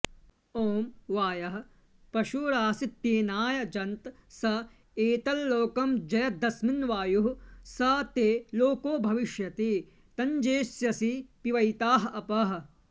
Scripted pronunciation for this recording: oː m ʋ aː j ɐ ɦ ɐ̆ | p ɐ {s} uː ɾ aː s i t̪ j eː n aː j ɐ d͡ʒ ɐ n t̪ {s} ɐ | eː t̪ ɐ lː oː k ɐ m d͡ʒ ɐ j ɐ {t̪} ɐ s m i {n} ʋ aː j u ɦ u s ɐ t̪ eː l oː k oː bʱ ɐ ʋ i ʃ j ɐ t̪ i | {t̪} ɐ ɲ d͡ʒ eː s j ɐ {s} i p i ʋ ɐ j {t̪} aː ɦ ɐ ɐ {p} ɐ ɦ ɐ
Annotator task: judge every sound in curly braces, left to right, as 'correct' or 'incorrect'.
incorrect: ʃ, correct, incorrect: d̪, correct, correct, correct, correct, correct

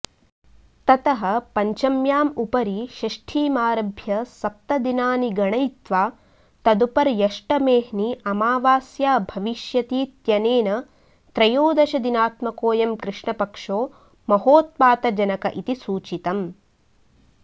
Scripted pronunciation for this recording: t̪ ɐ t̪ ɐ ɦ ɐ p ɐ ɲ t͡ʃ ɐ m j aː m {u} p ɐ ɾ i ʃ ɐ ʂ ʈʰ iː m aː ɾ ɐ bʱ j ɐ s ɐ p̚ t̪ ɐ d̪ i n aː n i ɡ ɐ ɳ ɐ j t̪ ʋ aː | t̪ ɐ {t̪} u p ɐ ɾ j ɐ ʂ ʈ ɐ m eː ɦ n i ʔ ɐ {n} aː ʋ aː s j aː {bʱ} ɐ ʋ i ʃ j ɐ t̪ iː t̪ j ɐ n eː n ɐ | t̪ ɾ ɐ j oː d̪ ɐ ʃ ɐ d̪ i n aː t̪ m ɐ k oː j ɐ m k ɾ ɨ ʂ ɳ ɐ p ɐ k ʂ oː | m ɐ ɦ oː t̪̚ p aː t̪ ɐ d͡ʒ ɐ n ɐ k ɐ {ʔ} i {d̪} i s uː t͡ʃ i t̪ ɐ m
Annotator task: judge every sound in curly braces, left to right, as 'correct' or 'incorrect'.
correct, incorrect: d̪, incorrect: m, correct, correct, incorrect: t̪

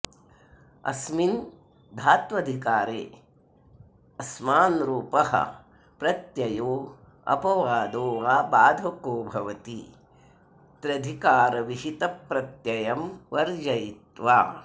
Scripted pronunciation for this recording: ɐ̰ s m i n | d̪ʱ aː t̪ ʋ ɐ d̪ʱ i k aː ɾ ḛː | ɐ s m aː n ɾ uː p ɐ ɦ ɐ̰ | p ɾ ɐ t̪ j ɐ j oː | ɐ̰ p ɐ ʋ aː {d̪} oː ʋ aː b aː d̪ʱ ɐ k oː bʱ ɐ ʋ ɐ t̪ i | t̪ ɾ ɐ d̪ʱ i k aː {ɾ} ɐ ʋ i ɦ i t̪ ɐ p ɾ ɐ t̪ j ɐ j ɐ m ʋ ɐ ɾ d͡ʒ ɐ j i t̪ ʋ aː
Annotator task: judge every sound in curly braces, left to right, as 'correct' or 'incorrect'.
correct, correct

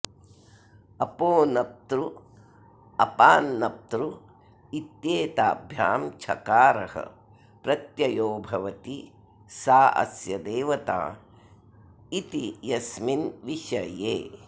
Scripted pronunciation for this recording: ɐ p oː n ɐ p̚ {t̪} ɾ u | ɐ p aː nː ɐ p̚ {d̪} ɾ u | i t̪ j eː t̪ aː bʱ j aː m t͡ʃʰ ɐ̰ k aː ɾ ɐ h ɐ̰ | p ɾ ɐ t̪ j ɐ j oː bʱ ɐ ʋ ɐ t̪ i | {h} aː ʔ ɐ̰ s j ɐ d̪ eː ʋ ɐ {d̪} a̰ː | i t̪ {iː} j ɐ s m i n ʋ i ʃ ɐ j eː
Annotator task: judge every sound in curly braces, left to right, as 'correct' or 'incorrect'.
correct, incorrect: t̪, incorrect: s, incorrect: t̪, incorrect: i

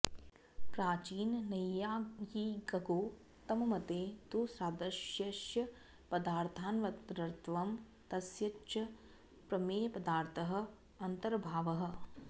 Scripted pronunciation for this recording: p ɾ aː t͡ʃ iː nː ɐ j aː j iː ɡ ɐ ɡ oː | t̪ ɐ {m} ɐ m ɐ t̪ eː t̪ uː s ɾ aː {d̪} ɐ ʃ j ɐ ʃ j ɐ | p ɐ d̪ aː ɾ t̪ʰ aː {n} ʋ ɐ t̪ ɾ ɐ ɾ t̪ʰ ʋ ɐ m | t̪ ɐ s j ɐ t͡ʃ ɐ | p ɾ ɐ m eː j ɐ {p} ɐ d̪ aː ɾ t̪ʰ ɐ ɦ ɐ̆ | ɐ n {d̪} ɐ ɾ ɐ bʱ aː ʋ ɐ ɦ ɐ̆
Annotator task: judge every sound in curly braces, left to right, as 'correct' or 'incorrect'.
correct, correct, correct, correct, incorrect: t̪

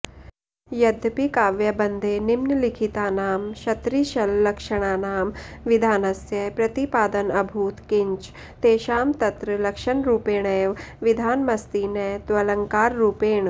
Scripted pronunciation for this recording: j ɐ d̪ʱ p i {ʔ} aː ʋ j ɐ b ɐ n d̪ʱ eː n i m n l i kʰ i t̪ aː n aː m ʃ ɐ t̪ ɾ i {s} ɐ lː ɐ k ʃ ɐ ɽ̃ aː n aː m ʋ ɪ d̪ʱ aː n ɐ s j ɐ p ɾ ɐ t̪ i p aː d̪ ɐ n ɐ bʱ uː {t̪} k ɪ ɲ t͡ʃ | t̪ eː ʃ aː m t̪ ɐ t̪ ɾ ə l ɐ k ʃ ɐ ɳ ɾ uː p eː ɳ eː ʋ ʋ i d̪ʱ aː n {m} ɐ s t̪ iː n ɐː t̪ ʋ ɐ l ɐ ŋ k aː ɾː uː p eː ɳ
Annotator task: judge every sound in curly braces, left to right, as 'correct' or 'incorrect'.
incorrect: k, incorrect: ʃ, correct, correct

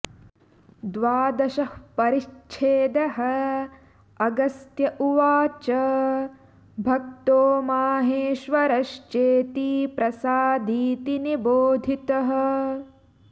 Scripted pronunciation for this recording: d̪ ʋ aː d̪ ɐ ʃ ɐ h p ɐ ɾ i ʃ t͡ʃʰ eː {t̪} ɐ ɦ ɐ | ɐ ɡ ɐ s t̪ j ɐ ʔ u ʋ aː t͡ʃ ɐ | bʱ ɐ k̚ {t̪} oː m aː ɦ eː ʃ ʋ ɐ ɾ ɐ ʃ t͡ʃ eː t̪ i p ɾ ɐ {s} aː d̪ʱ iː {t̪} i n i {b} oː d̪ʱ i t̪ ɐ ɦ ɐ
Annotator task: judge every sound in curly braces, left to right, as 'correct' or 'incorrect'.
incorrect: d̪, correct, correct, correct, correct

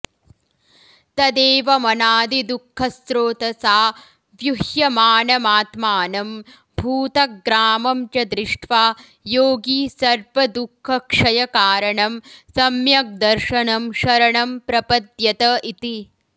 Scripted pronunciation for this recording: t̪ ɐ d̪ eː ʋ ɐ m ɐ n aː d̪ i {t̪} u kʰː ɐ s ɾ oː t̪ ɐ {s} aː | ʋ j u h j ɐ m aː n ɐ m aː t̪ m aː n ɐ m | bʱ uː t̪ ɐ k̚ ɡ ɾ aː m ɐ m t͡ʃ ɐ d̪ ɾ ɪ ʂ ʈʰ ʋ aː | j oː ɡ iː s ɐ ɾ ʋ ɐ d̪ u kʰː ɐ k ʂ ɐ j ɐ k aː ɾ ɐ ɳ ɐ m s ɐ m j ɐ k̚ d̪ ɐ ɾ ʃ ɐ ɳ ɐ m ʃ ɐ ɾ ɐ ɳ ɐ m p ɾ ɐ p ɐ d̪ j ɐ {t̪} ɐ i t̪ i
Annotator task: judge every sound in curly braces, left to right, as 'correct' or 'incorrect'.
incorrect: d̪, correct, correct

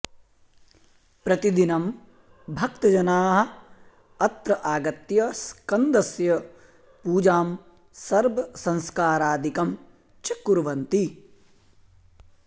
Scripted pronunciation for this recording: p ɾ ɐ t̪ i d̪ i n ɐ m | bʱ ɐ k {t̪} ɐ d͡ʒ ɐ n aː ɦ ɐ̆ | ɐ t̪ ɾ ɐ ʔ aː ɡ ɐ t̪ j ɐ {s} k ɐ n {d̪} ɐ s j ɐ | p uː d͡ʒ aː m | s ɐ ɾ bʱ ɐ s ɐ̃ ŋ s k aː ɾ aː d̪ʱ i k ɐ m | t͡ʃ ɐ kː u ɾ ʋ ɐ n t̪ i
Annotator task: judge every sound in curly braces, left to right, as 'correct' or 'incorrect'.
correct, correct, correct

